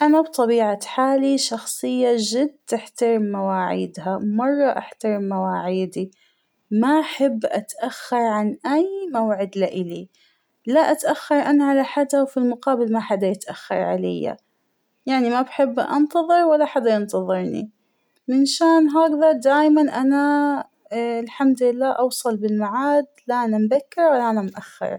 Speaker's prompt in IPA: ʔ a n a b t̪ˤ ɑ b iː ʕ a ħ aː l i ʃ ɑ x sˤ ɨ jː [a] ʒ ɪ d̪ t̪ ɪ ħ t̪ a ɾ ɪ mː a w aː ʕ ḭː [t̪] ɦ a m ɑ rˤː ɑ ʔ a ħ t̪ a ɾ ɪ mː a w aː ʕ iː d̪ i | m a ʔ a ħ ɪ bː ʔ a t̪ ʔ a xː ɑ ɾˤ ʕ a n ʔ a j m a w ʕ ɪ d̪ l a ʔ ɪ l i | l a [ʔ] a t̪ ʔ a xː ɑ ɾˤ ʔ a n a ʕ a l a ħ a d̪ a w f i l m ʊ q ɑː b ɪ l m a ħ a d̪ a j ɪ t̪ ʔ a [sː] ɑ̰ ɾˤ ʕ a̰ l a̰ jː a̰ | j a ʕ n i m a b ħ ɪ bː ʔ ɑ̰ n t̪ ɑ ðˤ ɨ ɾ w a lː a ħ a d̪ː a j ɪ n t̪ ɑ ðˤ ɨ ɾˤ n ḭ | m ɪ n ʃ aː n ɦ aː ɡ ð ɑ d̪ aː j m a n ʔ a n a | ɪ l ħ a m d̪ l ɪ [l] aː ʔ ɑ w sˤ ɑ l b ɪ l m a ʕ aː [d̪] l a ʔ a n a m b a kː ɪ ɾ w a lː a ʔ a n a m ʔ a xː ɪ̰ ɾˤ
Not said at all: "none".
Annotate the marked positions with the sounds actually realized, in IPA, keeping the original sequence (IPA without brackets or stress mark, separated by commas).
a, d̪, ʔ, xː, lː, d̪